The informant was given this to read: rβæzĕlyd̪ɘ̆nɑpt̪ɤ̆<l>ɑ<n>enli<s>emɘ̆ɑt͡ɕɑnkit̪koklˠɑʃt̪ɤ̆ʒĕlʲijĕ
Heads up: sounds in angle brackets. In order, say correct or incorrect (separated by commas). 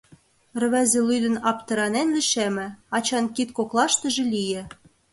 incorrect, correct, incorrect